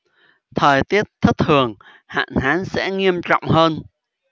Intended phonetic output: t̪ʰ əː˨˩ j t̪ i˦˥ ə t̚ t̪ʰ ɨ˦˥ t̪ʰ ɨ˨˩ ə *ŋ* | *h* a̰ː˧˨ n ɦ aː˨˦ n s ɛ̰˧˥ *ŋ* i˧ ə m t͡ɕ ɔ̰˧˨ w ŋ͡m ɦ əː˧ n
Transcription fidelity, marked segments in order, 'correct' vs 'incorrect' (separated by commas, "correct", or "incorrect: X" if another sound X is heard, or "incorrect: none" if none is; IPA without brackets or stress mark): correct, correct, correct